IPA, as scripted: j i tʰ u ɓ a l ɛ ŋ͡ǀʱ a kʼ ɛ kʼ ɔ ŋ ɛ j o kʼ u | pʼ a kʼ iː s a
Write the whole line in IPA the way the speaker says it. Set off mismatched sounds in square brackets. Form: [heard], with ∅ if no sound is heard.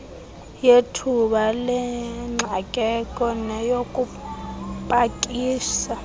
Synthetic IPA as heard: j [e] tʰ u ɓ a l ɛ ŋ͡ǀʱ a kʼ ɛ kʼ ɔ [n] ɛ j o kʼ u | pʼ a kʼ iː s a